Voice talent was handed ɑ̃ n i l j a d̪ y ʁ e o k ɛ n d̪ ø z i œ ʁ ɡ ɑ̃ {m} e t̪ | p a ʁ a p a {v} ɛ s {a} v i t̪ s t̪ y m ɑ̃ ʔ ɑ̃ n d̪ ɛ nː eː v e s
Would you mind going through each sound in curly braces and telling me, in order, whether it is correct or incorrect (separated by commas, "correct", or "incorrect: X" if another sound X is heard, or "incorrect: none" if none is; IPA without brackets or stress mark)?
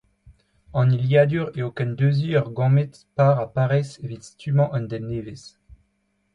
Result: correct, incorrect: ʁ, incorrect: e